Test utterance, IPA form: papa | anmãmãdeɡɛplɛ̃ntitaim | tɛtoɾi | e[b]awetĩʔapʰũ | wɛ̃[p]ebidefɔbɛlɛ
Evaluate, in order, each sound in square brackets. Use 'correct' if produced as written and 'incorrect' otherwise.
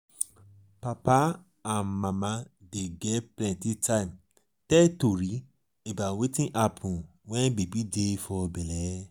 correct, incorrect

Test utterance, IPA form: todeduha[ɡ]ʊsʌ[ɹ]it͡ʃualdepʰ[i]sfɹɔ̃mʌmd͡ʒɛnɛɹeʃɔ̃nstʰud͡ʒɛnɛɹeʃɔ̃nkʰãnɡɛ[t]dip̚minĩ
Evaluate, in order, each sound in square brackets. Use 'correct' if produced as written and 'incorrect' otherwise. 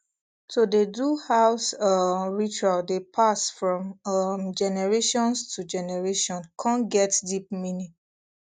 incorrect, correct, incorrect, correct

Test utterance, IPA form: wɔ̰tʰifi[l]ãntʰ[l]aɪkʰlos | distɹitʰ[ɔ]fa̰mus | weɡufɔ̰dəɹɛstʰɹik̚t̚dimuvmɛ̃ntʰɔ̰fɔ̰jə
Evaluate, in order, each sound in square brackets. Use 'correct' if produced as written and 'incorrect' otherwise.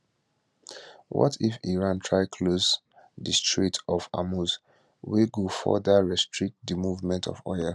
incorrect, incorrect, correct

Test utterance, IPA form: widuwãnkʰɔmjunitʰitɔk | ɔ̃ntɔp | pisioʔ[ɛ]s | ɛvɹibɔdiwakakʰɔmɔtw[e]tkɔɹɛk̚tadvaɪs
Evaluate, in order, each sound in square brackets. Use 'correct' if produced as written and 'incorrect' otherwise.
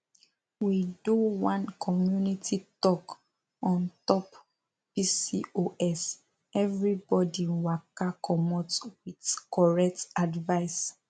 correct, incorrect

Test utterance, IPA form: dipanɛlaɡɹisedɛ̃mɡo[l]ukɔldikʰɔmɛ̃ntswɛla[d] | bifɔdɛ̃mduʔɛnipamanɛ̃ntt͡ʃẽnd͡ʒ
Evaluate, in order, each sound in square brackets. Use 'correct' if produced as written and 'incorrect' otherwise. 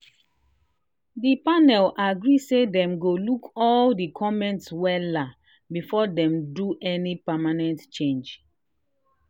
correct, incorrect

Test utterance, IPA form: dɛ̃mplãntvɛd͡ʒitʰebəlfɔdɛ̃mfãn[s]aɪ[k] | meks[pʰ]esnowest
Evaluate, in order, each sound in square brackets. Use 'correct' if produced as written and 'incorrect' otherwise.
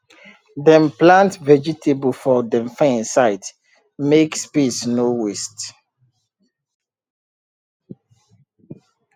correct, incorrect, incorrect

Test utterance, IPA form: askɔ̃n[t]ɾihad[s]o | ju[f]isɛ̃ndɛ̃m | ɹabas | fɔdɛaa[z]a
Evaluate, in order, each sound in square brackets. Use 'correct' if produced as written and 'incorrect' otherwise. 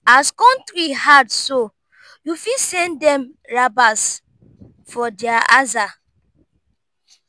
correct, correct, correct, correct

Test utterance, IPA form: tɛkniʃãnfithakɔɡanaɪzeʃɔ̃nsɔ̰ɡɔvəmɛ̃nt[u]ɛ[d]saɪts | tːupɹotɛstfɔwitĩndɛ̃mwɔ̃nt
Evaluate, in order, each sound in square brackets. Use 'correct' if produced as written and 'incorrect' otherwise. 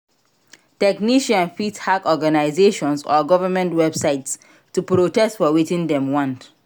incorrect, incorrect

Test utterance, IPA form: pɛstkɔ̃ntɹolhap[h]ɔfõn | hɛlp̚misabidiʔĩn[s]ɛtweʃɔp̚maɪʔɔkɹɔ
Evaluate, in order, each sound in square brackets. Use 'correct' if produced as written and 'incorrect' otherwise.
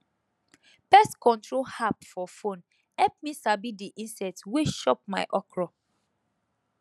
incorrect, correct

